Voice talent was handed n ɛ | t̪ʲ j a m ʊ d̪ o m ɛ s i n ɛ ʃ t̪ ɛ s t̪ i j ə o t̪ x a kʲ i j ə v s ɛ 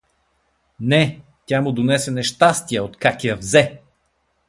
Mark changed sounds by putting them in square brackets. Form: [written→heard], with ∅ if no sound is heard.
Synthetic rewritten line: n ɛ | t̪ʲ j a m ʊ d̪ o [m→n] ɛ s [i→ɛ] n ɛ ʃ t̪ [ɛ→a] s t̪ i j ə o t̪ [x→k] a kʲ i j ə v [s→z] ɛ